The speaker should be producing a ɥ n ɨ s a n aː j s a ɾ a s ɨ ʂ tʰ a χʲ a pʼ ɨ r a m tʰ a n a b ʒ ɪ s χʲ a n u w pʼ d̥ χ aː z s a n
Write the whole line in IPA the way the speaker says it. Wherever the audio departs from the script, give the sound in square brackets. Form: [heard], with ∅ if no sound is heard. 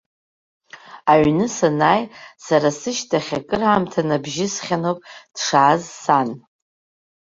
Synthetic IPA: a ɥ n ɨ s a n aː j s a ɾ a s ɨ [ʃ] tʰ a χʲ a [kʼ] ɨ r a m tʰ a n a b ʒ ɪ s χʲ a n [o] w pʼ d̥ [ʂ] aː z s a n